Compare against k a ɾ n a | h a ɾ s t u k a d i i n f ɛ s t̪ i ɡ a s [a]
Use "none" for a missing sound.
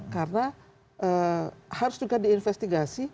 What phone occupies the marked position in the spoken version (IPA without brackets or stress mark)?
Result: i